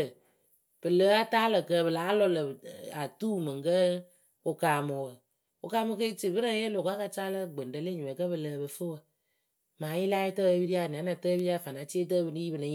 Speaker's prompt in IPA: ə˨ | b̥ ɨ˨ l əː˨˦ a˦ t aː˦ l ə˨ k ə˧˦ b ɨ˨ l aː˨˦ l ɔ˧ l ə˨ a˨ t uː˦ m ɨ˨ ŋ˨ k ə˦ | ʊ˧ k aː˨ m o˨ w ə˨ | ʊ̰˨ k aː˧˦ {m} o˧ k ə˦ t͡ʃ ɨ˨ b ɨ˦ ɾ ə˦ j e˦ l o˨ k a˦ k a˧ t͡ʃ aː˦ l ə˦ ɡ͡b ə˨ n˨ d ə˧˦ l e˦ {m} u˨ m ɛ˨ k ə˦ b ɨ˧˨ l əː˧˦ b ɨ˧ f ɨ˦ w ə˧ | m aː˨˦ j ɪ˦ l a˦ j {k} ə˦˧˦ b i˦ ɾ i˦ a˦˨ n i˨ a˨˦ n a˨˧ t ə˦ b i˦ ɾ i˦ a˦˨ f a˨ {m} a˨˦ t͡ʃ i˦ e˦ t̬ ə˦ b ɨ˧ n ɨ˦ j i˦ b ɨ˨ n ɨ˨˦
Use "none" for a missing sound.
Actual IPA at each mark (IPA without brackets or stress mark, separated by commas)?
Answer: m, ɲ, t, n